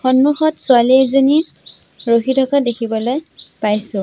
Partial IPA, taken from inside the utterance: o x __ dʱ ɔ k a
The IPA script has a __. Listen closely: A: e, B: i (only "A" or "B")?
B